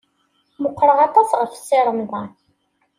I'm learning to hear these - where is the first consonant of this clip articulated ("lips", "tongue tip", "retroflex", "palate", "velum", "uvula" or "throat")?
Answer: lips